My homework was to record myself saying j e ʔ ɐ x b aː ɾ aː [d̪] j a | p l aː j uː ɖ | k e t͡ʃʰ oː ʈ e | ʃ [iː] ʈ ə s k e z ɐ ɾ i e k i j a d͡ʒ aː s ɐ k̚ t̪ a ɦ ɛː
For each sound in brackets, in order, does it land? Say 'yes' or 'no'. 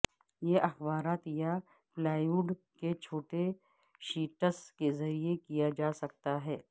no, yes

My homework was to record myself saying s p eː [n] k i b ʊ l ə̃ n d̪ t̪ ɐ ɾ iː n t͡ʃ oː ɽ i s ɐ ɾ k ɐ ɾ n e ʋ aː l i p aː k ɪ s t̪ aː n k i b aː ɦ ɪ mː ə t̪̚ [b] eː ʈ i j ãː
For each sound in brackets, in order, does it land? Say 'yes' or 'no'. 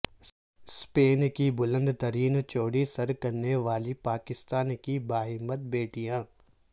yes, yes

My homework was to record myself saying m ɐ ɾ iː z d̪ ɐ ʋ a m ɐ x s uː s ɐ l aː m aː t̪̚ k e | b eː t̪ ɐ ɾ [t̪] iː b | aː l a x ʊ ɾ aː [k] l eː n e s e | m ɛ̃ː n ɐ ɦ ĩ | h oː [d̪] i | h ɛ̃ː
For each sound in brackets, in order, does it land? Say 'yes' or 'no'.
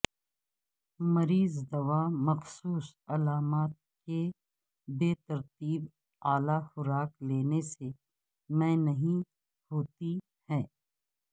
yes, yes, no

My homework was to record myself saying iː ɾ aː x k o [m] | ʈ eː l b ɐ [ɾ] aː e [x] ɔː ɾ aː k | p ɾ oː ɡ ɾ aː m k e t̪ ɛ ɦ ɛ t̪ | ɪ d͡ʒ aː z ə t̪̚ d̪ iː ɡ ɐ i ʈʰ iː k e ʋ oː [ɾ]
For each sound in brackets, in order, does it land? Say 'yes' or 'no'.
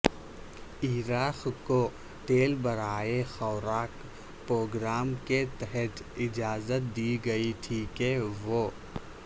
no, yes, yes, no

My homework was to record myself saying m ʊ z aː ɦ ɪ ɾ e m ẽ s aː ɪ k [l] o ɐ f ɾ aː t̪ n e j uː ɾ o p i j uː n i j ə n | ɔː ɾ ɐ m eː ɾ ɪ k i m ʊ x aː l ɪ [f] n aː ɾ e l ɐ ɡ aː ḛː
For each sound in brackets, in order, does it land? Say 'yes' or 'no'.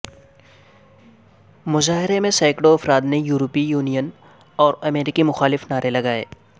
no, yes

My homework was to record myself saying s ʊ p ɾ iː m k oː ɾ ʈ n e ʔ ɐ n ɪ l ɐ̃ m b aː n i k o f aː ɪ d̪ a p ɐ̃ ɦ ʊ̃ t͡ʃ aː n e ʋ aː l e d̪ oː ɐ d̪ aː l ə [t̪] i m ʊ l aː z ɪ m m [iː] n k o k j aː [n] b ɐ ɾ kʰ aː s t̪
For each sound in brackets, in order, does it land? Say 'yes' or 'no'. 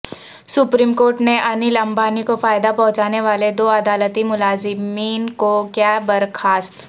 yes, yes, no

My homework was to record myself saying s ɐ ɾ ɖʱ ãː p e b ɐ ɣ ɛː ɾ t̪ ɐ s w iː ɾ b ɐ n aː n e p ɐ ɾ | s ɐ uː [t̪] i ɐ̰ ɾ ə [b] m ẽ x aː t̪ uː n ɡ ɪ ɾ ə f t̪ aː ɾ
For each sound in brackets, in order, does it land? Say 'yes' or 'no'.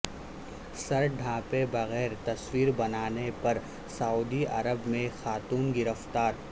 no, yes

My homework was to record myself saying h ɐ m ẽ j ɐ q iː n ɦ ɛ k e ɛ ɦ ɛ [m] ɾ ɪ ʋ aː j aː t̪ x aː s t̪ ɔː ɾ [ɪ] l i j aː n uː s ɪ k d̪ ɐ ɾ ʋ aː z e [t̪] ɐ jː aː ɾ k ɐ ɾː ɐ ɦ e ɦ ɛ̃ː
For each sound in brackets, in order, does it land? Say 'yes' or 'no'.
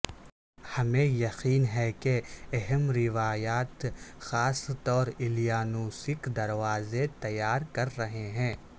yes, yes, yes

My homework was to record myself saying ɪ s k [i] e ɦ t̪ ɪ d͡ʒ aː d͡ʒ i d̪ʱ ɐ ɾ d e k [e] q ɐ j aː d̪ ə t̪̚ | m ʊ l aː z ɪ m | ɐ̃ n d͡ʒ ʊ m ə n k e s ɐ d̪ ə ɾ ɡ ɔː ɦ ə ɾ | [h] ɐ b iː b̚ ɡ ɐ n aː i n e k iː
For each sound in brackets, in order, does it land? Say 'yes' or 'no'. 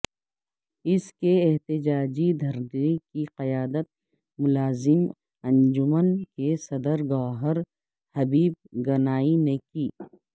no, no, yes

